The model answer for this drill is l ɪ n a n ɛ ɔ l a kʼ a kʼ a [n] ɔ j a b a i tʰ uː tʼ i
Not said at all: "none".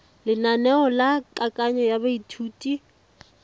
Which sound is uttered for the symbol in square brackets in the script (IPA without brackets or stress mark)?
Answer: ɲ